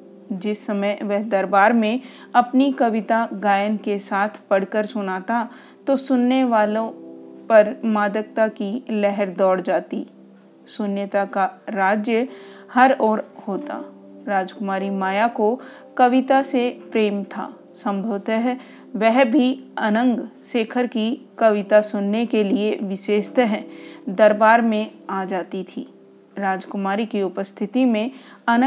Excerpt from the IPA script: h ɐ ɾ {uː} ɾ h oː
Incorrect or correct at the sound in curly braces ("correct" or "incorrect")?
incorrect